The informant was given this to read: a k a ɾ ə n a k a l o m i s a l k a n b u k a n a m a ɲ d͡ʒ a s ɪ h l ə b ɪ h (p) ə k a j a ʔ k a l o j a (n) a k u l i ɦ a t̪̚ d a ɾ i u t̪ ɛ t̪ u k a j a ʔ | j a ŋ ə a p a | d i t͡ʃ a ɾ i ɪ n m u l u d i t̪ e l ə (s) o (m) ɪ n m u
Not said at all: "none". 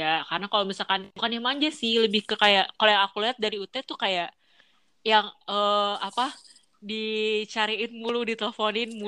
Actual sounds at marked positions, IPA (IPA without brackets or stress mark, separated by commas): k, ŋ, f, n